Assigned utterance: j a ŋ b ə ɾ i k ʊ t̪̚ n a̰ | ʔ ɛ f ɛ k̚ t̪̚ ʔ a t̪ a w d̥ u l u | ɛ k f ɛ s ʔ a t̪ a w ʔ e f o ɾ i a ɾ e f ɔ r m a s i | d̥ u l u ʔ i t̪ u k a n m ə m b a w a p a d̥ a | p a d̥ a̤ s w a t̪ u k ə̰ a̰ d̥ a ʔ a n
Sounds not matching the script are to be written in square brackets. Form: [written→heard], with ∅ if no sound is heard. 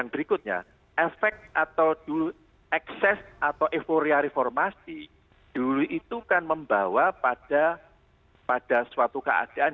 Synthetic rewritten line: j a ŋ b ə ɾ i k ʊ t̪̚ [n→ɲ] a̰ | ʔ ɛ f ɛ k̚ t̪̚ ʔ a t̪ a w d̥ u l u | ɛ k [f→s] ɛ s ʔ a t̪ a w ʔ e f o ɾ i a ɾ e f ɔ r m a s i | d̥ u l u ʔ i t̪ u k a n m ə m b a w a p a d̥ a | p a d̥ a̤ s w a t̪ u k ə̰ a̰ d̥ a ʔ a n